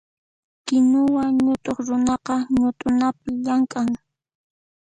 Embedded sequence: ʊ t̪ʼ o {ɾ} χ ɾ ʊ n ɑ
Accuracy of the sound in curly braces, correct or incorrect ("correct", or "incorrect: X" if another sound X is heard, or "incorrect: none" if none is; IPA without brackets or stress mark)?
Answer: incorrect: none